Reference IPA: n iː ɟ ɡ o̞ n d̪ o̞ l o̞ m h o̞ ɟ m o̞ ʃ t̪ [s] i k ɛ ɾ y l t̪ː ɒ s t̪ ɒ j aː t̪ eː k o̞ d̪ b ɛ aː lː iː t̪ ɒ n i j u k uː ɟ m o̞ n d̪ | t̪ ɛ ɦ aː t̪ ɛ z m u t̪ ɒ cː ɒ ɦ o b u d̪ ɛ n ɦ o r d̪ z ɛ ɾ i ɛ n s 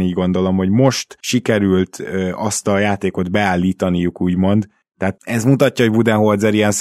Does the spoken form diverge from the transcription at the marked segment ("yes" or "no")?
yes